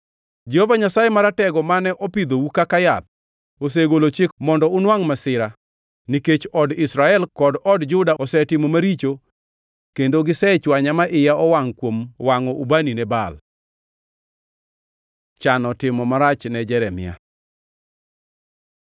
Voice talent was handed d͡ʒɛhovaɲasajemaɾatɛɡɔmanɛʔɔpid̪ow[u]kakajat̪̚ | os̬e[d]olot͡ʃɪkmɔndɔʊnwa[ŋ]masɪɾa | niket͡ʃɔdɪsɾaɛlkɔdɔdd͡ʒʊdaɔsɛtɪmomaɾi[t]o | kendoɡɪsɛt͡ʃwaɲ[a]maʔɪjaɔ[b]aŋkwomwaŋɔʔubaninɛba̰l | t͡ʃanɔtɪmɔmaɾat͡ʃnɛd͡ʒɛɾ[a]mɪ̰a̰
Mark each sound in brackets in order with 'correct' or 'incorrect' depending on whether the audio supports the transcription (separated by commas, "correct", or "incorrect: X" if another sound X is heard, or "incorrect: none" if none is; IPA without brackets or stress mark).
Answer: correct, incorrect: ɡ, correct, incorrect: t͡ʃ, correct, incorrect: w, incorrect: ɛ